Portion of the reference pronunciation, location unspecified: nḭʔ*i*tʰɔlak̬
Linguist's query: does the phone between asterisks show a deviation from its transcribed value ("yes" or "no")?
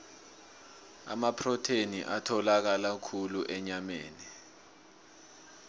yes